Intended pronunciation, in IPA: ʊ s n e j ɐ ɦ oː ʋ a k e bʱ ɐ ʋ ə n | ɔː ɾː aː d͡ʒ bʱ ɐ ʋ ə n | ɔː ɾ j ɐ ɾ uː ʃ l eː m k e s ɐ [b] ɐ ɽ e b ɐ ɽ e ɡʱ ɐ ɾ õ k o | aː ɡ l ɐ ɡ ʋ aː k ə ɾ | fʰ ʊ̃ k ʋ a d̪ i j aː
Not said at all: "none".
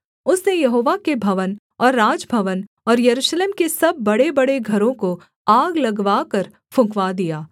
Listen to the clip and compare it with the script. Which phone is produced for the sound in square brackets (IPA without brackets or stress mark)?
bː